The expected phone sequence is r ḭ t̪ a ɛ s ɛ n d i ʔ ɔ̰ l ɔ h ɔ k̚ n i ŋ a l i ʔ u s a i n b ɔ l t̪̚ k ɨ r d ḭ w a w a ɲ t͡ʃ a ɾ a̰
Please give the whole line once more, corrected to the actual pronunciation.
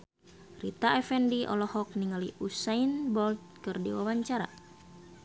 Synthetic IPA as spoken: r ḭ t̪ a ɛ f ɛ n d i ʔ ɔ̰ l ɔ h ɔ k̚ n i ŋ a l i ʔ u s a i n b ɔ l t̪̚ k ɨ r d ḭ w a w a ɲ t͡ʃ a ɾ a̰